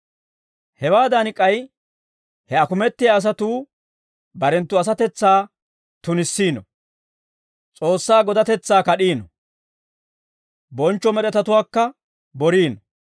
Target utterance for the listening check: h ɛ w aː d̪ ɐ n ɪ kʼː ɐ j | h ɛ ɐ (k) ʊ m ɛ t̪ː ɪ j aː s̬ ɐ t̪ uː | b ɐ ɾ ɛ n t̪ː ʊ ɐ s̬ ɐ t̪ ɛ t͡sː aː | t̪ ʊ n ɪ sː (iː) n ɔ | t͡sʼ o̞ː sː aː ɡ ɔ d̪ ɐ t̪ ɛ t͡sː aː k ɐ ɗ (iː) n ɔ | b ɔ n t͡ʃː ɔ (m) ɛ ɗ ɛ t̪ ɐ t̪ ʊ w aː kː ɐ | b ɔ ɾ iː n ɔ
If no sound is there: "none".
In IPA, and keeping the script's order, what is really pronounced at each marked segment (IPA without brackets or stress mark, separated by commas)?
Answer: k, iː, iː, m